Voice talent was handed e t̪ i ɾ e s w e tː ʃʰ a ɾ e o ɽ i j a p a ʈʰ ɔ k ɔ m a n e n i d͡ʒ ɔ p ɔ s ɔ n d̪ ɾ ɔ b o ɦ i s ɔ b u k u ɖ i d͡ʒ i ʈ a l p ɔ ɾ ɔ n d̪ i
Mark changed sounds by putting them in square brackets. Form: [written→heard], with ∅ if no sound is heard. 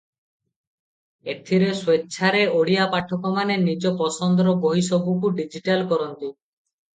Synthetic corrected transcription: e [t̪→t̪ʰ] i ɾ e s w e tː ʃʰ a ɾ e o ɽ i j a p a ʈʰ ɔ k ɔ m a n e n i d͡ʒ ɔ p ɔ s ɔ n d̪ ɾ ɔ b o ɦ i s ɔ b u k u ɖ i d͡ʒ i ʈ a l [p→k] ɔ ɾ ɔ n [d̪→t̪] i